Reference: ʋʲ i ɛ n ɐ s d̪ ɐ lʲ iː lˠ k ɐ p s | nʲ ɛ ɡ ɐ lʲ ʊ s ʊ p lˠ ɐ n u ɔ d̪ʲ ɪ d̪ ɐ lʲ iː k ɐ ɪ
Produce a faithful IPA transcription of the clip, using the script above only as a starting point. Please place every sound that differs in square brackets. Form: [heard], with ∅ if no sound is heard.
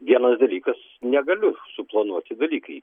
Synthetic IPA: ʋʲ i ɛ n ɐ s d̪ ɐ lʲ iː [∅] k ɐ [∅] s | nʲ ɛ ɡ ɐ lʲ ʊ s ʊ p lˠ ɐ n u ɔ [t̪ʲ] ɪ d̪ ɐ lʲ iː k ɐ ɪ